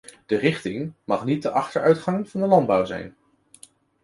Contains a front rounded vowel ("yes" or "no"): yes